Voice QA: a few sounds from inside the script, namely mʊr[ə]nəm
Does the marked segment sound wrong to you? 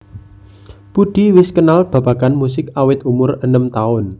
no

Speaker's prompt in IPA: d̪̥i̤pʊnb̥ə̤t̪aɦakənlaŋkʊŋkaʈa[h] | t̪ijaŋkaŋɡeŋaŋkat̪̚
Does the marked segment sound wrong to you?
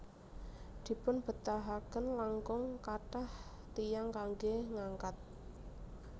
no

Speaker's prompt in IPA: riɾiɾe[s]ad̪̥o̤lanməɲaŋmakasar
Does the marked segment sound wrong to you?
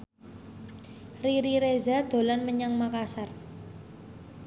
yes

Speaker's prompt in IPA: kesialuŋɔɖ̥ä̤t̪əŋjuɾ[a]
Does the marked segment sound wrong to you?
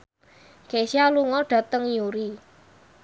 yes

